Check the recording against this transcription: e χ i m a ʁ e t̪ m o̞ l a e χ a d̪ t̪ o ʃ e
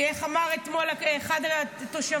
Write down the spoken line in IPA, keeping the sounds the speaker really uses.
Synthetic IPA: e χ a m a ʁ e t̪ m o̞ l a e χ a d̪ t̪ o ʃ a